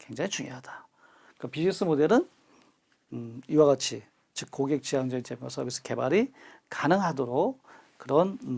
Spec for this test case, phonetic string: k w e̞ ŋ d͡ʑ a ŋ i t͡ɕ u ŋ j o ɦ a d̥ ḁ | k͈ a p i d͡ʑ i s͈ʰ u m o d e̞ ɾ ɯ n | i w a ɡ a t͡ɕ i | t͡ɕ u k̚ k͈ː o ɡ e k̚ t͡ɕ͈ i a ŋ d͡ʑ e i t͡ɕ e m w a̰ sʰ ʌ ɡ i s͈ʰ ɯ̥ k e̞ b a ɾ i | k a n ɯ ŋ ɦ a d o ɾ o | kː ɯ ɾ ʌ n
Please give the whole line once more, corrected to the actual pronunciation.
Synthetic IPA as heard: k w e̞ ŋ d͡ʑ a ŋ i t͡ɕ u ŋ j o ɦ a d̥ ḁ | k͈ a p i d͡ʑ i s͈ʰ ɯ m o d e̞ ɾ ɯ n | i w a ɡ a t͡ɕʰ i | t͡ɕ ɯ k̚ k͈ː o ɡ e k̚ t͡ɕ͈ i a ŋ d͡ʑ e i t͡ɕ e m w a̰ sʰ ʌ b i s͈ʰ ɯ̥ k e̞ b a ɾ i | k a n ɯ ŋ ɦ a d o ɾ o | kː ɯ ɾ ʌ n